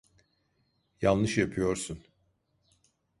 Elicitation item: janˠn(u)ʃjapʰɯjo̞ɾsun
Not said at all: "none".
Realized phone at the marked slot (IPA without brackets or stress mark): ɯ